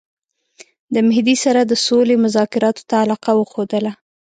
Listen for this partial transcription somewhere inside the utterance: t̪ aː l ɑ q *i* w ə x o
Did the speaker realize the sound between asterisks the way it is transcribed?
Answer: no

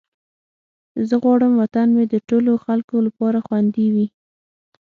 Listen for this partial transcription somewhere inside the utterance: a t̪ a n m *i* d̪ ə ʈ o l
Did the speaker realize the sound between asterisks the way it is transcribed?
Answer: no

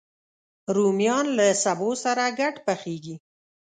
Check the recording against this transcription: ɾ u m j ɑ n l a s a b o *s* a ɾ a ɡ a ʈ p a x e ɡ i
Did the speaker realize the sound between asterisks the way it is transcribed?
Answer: yes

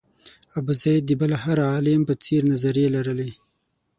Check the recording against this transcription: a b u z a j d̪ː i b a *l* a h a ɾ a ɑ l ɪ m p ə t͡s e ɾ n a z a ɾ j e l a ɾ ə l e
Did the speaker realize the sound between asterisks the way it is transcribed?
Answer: yes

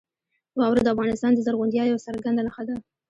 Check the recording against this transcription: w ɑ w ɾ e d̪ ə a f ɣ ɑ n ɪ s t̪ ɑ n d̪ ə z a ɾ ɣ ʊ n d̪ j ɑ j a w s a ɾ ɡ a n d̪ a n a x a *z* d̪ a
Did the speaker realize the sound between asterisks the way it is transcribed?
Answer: no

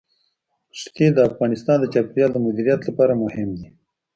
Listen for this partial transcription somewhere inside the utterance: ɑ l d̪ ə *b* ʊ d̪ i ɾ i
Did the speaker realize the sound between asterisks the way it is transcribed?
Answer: no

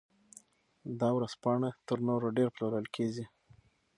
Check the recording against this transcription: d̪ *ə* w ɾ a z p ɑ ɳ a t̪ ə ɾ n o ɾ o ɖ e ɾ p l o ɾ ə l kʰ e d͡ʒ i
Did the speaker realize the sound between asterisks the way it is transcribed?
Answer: no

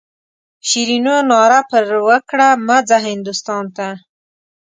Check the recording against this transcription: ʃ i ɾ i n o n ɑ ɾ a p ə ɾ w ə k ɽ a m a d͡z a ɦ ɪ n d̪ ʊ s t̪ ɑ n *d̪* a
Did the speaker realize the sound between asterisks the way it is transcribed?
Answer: no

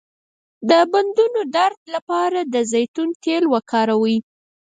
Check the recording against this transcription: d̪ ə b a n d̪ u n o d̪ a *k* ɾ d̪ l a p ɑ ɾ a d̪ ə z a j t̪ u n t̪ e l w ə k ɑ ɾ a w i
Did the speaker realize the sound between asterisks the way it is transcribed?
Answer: no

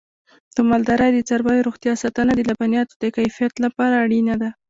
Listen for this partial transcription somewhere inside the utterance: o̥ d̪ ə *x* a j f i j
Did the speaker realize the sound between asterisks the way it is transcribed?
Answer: no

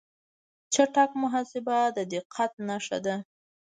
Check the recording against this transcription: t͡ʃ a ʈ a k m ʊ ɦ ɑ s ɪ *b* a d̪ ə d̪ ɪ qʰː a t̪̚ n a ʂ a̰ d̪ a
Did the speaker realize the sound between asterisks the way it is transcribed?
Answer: yes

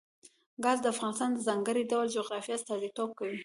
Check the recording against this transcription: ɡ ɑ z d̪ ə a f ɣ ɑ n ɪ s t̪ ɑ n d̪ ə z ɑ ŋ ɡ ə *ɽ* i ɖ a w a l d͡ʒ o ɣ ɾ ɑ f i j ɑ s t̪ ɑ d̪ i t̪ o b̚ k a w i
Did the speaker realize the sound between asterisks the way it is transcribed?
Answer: no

